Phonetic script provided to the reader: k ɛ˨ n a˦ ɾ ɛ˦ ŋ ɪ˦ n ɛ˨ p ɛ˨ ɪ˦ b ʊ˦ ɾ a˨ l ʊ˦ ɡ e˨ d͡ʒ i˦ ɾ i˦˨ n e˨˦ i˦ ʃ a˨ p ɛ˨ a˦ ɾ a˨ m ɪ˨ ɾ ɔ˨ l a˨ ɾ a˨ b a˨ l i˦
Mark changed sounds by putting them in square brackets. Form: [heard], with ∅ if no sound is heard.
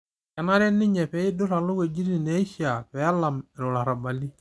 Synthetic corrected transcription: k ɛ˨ n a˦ ɾ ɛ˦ [n] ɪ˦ [ɲ] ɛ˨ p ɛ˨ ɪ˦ [d] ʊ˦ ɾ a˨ l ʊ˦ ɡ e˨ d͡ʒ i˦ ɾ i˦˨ n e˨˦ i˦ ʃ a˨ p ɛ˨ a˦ [l] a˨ m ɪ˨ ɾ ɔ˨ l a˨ ɾ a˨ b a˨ l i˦